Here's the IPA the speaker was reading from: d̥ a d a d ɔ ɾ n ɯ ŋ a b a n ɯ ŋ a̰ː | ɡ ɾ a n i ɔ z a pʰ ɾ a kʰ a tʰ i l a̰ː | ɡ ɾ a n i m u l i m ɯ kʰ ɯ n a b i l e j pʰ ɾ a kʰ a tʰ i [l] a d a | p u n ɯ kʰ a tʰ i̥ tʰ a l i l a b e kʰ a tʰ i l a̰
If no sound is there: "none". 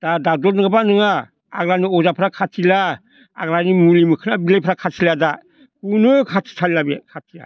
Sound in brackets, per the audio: l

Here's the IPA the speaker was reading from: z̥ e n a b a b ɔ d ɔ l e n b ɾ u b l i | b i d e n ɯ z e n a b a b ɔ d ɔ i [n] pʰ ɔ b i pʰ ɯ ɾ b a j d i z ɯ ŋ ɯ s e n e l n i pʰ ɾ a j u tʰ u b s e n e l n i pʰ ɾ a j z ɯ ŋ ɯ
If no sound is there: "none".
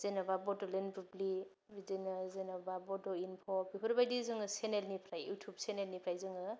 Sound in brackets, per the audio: n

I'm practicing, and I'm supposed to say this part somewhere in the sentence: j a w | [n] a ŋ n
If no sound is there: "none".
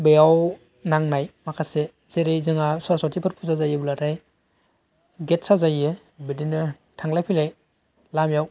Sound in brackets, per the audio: n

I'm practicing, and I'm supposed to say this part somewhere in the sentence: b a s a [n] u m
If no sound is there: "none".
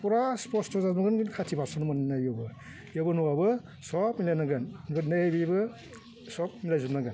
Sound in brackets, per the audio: n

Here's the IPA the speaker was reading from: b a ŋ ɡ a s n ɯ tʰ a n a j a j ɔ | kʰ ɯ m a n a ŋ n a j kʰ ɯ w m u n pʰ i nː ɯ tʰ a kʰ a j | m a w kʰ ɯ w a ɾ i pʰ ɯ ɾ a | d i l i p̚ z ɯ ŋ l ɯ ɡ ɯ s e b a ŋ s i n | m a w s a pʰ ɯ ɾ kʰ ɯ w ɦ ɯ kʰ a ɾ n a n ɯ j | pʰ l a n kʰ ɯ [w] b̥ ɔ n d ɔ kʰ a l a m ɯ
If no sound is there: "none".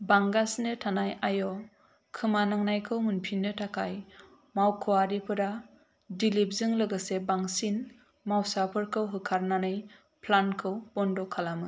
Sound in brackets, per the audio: w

